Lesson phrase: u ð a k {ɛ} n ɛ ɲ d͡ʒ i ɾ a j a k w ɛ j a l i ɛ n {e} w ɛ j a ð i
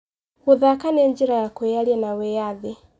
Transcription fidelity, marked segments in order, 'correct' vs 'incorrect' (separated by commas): incorrect, incorrect